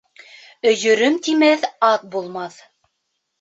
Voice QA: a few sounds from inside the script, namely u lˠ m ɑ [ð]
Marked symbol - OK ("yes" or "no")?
no